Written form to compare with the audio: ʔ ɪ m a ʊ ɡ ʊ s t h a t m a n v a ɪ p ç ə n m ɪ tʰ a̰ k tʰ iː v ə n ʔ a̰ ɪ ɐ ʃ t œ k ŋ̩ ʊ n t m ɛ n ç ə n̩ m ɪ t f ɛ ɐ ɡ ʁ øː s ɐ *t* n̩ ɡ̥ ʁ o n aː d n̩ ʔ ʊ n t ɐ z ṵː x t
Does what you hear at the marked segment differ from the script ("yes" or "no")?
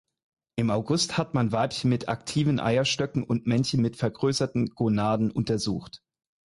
no